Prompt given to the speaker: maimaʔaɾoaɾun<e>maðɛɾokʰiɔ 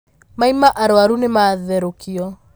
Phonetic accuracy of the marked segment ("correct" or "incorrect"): correct